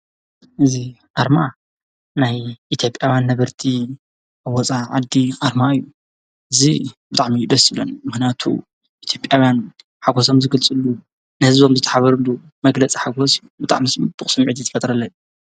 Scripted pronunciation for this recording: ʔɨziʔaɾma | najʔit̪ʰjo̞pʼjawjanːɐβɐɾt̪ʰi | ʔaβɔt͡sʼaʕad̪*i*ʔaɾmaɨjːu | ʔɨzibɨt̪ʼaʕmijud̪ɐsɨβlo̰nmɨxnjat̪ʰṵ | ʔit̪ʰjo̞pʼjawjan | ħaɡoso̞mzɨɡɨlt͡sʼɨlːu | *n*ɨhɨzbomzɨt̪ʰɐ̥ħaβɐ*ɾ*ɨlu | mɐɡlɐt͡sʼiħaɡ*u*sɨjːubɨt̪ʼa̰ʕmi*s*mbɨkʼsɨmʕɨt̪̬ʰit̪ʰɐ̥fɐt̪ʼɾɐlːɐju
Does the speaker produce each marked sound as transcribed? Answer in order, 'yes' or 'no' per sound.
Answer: yes, yes, yes, no, yes

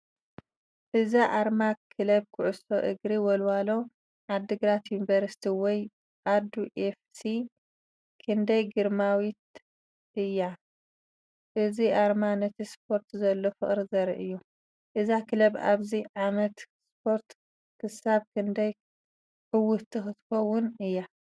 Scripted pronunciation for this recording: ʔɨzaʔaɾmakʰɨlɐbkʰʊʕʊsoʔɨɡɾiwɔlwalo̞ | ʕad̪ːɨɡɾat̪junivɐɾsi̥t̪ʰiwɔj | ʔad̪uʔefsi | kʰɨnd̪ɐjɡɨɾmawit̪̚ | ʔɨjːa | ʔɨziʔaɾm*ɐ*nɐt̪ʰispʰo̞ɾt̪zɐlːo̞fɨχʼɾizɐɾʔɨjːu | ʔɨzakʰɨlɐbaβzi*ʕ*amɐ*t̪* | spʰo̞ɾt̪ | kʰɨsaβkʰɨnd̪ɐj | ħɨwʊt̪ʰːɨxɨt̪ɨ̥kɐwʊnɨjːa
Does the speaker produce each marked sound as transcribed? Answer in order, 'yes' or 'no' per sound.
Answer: no, yes, yes

